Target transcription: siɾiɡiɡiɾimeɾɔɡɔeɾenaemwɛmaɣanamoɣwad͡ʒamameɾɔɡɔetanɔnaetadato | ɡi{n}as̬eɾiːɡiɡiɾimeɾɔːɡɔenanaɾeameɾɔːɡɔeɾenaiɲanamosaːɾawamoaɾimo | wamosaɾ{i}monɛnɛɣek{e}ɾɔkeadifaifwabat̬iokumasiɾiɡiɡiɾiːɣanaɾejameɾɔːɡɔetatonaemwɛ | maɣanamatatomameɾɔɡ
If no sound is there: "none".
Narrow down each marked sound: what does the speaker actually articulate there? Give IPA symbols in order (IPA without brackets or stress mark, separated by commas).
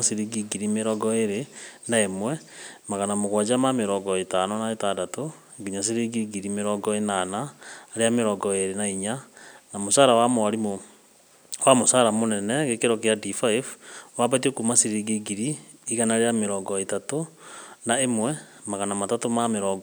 ɲ, a, e